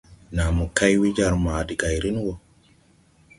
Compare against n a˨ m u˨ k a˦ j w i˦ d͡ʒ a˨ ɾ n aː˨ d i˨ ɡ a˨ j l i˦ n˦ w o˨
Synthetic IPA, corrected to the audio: n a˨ m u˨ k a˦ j w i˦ d͡ʒ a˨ ɾ m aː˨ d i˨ ɡ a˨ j ɾ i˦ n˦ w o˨